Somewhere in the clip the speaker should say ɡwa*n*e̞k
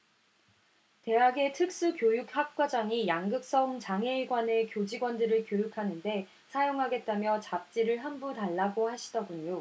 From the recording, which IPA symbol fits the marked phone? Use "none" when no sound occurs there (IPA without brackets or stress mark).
n